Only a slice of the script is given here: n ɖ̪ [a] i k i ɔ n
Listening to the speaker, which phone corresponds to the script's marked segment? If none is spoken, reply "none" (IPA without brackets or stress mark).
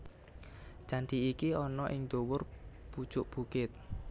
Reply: i